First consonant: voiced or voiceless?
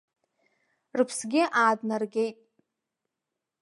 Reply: voiced